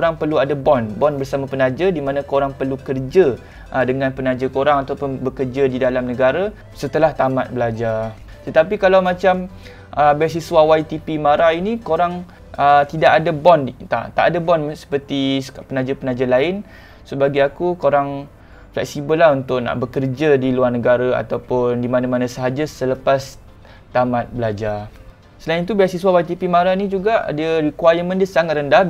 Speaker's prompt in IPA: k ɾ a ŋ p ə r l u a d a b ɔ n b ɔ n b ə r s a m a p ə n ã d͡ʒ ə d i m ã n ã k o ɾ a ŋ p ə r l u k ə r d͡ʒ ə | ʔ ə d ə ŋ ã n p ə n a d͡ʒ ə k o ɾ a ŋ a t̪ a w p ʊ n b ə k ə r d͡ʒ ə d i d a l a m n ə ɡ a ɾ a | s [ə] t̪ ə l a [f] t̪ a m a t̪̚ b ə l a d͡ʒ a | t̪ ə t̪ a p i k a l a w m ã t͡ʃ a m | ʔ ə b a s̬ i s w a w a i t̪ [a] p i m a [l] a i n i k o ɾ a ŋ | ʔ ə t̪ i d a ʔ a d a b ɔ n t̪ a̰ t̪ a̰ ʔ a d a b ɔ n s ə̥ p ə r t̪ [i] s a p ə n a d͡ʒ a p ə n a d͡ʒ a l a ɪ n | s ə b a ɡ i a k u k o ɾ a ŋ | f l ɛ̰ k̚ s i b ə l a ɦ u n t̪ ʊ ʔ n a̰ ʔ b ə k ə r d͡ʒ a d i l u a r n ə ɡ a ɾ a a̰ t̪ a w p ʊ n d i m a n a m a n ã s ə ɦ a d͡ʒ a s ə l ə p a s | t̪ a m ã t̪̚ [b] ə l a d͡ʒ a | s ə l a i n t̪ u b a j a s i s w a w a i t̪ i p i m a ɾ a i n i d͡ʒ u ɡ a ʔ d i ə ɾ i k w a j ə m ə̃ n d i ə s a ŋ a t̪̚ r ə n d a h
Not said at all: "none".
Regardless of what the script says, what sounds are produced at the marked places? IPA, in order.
ə, h, i, ɾ, i, b

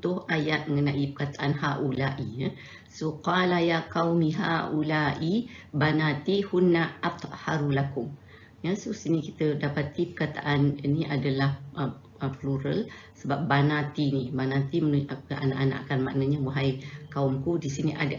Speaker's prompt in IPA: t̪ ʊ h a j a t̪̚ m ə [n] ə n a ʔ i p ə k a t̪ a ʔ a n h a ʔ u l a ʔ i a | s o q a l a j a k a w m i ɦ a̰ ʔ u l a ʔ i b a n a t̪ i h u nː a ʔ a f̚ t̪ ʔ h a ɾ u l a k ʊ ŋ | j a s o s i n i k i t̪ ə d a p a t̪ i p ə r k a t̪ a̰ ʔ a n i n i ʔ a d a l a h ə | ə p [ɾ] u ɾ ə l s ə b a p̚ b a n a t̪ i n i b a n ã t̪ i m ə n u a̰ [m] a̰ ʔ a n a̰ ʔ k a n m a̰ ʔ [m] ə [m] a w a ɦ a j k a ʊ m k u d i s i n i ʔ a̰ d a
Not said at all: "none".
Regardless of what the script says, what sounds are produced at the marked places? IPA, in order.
ŋ, l, n, n, ɲ

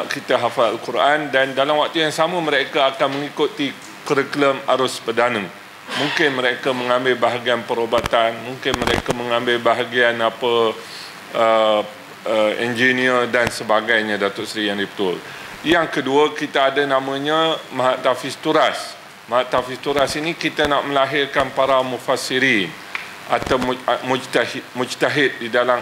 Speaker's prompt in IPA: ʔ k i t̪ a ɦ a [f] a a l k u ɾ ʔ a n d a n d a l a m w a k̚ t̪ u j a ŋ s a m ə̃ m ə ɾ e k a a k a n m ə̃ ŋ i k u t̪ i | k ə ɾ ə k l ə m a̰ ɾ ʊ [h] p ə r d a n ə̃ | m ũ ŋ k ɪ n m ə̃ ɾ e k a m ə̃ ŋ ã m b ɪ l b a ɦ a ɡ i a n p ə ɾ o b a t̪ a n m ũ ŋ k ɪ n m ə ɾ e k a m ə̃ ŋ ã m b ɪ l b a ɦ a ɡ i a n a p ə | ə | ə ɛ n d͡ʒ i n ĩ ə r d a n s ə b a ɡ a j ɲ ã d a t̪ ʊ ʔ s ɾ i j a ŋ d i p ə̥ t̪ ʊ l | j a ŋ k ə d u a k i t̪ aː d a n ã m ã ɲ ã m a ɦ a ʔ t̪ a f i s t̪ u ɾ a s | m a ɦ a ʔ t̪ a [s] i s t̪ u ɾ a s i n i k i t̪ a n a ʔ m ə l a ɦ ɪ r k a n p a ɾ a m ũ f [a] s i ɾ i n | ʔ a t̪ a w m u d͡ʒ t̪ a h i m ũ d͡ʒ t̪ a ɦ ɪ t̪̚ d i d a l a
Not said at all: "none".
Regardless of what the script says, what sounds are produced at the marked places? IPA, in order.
f, s, f, a

